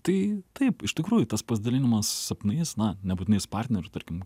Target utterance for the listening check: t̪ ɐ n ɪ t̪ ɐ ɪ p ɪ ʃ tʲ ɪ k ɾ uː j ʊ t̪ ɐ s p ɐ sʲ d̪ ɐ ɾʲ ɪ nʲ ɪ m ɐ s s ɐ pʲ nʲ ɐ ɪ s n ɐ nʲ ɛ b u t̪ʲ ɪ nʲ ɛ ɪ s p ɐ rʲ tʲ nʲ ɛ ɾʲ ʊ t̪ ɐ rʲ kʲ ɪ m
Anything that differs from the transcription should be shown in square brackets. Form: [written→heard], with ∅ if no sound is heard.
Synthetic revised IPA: t̪ ɐ [n→∅] ɪ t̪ ɐ ɪ p ɪ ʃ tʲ ɪ k ɾ uː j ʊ t̪ ɐ s p ɐ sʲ d̪ ɐ [ɾʲ→lʲ] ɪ nʲ ɪ m ɐ s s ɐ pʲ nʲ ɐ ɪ s n ɐ nʲ ɛ b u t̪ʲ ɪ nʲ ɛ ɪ s p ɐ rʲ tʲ nʲ ɛ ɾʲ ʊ t̪ ɐ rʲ kʲ ɪ m